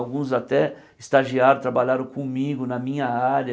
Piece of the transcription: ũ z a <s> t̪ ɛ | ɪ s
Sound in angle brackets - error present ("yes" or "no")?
yes